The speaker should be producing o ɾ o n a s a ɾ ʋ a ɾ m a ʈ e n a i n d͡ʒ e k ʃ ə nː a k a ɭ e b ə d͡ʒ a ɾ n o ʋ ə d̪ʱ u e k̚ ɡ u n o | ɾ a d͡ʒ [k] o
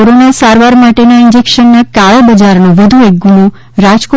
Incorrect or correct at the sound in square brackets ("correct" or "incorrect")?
correct